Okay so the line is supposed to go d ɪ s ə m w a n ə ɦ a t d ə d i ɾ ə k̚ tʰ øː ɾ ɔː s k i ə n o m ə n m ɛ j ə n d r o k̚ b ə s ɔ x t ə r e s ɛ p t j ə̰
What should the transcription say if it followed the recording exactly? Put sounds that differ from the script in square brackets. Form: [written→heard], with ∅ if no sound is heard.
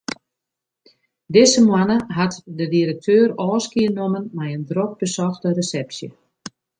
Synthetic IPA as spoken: d ɪ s ə m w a n ə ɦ a t d ə d i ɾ ə k̚ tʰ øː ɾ ɔː s k i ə n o m ə n m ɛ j ə n d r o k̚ b ə s ɔ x t ə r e s ɛ p [t→s] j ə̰

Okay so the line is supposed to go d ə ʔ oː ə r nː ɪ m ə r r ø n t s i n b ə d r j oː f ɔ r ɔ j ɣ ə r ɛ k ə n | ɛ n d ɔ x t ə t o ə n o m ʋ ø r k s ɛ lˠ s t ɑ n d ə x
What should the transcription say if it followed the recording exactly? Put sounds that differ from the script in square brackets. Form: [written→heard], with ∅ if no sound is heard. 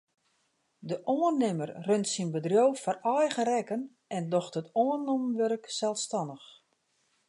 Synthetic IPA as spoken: d ə ʔ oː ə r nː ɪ m ə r r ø n t s i n b ə d r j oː f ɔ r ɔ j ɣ ə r ɛ k ə n | ɛ n d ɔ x t ə t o ə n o m ʋ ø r k s ɛ lˠ s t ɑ n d ə x

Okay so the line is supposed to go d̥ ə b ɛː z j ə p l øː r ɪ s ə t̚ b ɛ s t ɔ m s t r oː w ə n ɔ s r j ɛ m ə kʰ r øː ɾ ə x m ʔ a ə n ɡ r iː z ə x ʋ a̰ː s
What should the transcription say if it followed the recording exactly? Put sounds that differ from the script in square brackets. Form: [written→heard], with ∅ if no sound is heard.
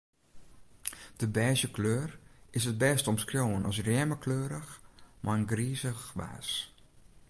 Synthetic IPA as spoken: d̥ ə b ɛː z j ə [p→k] l øː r ɪ s ə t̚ b ɛ s t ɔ m s [t→k] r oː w ə n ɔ s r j ɛ m ə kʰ [r→l] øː ɾ ə x m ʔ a ə n ɡ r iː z ə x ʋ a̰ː s

